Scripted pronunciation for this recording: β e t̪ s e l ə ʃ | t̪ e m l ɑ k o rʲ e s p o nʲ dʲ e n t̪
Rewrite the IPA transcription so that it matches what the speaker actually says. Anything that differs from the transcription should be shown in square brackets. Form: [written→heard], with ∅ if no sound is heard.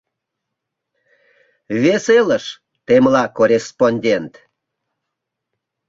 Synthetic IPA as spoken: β e [t̪→∅] s e l ə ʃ | t̪ e m l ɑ k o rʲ e s p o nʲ dʲ e n t̪